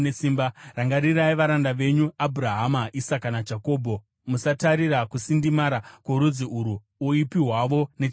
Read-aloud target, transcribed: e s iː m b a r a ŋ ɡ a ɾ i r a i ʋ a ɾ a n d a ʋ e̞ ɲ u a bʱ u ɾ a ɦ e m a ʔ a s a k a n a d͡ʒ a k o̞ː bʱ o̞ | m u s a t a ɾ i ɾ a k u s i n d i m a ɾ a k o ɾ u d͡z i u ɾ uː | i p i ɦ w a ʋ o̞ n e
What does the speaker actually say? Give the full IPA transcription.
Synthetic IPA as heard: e s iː m b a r a ŋ ɡ a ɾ i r a i ʋ a ɾ a n d a ʋ e̞ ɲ u a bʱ u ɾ a ɦ a m a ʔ i s a k a n a d͡ʒ a k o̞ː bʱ o̞ | m u s a t a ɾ i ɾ a k u s i n d i m a ɾ a k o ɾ u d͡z i u ɾ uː | i p i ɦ w a ʋ o̞ n e